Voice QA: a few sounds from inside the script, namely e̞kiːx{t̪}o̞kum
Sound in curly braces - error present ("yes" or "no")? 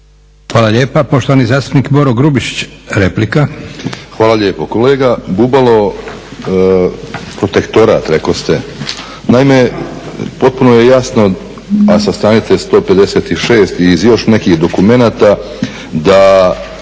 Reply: yes